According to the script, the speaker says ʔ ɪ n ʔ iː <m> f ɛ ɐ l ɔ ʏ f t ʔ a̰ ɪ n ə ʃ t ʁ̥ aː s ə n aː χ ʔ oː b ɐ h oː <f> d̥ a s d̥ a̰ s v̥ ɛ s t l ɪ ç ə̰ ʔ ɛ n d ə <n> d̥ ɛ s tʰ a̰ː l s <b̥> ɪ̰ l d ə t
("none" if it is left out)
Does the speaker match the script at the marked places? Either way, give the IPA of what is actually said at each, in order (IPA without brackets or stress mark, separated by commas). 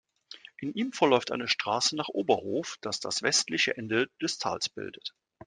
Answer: m, f, none, b̥